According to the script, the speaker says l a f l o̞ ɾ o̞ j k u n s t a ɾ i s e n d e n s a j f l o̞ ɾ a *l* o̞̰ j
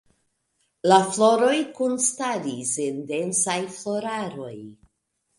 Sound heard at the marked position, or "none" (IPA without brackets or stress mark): ɾ